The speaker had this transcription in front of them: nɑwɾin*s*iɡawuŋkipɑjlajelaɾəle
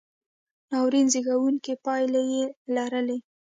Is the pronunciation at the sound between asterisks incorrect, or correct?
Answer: incorrect